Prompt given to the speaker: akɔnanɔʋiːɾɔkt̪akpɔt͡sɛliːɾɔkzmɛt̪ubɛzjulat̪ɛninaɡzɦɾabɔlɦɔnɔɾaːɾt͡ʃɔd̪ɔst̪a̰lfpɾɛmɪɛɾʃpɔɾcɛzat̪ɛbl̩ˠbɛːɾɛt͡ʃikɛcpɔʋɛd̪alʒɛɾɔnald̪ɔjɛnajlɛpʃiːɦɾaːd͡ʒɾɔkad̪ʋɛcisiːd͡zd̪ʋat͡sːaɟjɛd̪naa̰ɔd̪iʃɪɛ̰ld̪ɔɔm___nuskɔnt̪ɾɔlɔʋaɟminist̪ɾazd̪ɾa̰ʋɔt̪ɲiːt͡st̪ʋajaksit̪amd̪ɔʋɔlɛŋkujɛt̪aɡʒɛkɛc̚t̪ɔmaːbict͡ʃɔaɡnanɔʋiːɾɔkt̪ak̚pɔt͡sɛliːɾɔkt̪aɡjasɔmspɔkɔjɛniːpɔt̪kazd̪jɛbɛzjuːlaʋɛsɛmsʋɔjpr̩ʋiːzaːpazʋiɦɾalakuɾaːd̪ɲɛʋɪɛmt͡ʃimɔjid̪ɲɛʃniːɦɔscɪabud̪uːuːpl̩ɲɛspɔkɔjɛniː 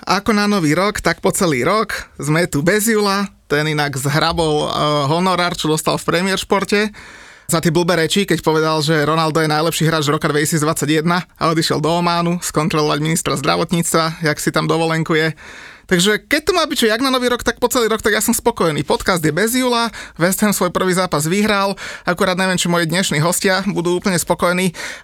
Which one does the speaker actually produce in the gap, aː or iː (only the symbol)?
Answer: aː